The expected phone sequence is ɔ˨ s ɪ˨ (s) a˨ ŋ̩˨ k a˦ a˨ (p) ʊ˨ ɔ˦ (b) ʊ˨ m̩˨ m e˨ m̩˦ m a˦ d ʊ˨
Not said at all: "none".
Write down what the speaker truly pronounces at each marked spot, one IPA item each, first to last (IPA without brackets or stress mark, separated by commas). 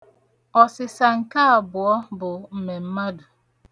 s, b, b